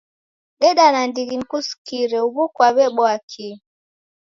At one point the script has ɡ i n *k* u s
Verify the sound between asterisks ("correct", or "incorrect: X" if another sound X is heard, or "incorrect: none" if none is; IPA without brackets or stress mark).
correct